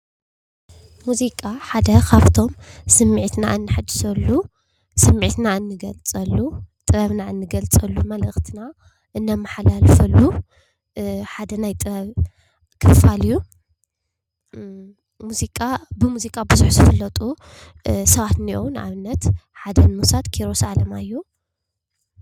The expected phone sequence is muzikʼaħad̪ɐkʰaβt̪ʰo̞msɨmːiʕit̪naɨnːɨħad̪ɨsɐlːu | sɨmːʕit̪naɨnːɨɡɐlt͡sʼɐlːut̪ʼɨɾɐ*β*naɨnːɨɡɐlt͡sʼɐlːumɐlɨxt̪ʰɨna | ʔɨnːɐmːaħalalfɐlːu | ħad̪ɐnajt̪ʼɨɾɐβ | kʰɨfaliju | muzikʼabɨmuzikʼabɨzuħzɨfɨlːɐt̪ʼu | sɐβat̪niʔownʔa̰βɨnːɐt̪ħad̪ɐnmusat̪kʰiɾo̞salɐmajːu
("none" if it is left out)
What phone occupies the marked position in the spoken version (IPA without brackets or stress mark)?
β